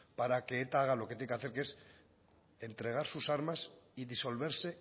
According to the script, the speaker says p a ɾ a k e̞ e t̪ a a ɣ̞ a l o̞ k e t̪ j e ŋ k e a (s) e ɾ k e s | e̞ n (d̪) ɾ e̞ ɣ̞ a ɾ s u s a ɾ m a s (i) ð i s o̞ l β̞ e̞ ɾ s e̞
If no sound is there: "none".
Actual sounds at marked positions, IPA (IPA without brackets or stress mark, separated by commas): θ, t̪, i